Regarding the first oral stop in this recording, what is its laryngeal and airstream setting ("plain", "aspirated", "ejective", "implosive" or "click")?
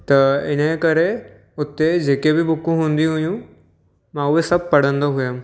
plain